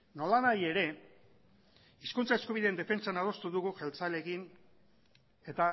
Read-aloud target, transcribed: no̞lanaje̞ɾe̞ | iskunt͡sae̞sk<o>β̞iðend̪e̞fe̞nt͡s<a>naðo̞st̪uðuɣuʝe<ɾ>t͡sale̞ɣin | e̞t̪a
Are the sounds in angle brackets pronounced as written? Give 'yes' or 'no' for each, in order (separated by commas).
no, yes, no